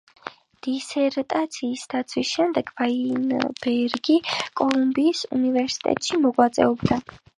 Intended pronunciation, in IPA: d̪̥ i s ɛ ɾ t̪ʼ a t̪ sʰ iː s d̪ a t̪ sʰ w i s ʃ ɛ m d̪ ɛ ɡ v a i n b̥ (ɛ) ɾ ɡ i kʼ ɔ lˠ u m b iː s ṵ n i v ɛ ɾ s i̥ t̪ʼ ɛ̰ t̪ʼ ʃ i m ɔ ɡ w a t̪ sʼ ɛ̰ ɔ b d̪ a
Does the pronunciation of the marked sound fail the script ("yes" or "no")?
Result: no